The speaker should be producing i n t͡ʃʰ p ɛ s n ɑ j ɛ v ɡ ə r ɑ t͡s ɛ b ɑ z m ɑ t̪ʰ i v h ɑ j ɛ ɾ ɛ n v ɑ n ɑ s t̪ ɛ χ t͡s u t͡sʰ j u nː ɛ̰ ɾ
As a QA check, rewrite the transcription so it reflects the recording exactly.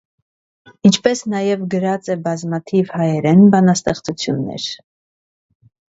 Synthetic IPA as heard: i n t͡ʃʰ p ɛ s n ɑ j ɛ v ɡ ə ɾ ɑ t͡s ɛ b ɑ z m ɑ t̪ʰ i v h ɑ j ɛ ɾ ɛ n b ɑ n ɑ s t̪ ɛ χ t͡s u t͡sʰ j u nː ɛ̰ ɾ